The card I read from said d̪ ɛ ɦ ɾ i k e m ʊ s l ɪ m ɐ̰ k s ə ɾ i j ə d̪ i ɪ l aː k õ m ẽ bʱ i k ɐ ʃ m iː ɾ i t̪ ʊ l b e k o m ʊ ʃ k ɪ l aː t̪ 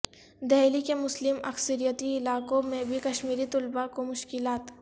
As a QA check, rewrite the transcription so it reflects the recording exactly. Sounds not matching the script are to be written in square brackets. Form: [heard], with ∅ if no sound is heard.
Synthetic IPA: d̪ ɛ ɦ [l] i k e m ʊ s l ɪ m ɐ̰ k s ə ɾ i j ə [t̪] i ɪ l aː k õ m ẽ bʱ i k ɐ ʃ m iː ɾ i t̪ ʊ l b [a] k o m ʊ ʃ k ɪ l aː t̪